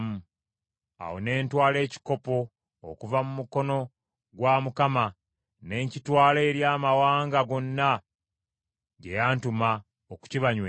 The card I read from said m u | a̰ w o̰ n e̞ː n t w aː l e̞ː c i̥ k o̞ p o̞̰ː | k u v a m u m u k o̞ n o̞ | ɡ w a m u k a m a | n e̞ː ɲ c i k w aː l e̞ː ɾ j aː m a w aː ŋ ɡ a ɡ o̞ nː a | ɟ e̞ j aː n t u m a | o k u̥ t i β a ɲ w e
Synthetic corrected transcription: m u | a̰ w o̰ n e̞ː n t w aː l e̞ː c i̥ k o̞ p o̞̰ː | k u v a m u m u k o̞ n o̞ | ɡ w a m u k a m a | n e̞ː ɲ c i t w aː l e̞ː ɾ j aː m a w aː ŋ ɡ a ɡ o̞ nː a | ɟ e̞ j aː n t u m a | o k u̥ c i β a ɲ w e